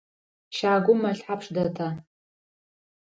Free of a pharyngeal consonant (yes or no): no